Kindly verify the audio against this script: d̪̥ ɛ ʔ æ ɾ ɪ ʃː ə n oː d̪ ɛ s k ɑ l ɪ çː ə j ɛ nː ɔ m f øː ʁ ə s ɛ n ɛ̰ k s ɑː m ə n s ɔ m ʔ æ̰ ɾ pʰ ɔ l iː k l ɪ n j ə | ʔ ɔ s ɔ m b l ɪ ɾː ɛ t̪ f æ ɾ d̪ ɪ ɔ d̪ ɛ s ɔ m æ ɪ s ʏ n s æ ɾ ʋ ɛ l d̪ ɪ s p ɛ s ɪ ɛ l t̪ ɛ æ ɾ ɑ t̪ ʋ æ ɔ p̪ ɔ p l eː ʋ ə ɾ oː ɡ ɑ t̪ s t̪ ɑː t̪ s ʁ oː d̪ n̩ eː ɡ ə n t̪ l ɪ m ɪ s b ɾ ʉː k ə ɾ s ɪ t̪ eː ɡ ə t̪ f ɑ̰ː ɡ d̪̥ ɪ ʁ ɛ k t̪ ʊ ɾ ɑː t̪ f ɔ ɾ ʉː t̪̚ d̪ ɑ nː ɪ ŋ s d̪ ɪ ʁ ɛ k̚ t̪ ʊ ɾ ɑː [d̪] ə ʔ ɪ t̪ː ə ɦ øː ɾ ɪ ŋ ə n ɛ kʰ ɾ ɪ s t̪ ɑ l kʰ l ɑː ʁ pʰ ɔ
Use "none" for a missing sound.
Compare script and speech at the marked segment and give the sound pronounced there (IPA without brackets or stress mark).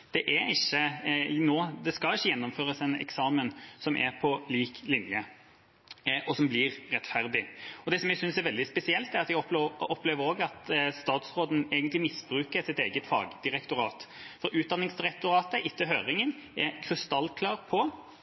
t̪